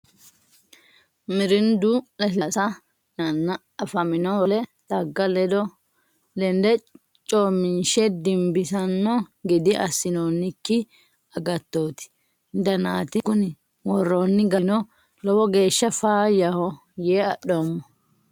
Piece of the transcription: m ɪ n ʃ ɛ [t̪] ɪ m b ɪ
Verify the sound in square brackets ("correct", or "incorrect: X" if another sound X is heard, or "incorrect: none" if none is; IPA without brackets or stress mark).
incorrect: d̪